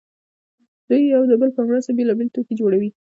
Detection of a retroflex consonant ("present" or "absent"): present